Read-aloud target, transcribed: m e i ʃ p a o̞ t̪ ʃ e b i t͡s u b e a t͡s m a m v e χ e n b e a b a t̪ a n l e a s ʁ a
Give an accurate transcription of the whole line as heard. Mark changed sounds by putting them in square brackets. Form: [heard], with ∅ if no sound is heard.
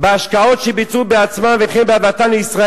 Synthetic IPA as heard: [b] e [a] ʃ [k] a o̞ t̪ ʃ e b i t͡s u b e a t͡s m a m v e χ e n b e a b a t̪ a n l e [i] s ʁ a

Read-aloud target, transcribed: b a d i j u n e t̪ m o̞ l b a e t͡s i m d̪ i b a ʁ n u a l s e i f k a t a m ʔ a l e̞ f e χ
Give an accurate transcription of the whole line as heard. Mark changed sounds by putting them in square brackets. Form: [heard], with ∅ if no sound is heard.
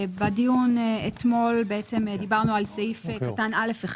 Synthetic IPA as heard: b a d i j u n e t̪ m o̞ l b [e] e t͡s [e] m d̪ i b a ʁ n u a l s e i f k a t a [n] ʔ a l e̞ f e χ

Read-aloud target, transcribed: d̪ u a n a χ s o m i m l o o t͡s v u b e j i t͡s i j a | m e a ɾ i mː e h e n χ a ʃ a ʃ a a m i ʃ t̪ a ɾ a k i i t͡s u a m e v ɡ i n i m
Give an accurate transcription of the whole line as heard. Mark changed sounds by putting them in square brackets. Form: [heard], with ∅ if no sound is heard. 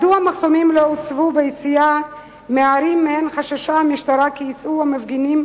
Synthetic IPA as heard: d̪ u a [m] a χ s o m i m l o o t͡s v u b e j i t͡s i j a | m e a ɾ i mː e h e n χ a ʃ a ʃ a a m i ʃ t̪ a ɾ a k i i t͡s u a m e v ɡ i n i m

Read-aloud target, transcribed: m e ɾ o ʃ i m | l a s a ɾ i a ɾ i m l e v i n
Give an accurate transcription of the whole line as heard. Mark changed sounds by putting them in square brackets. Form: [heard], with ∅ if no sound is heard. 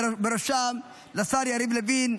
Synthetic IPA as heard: [b] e ɾ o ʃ [a] m | l a s a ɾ [j] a ɾ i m l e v i n

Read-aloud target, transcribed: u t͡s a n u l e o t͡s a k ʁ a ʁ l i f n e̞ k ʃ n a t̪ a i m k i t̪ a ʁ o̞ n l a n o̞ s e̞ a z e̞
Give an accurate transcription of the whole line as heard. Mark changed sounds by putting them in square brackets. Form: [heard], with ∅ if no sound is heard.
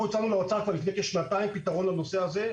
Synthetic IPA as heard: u t͡s a n u l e o t͡s a k [v] a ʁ l i f n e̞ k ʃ n a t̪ a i m [p] i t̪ a ʁ o̞ n l a n o̞ s e̞ a z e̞

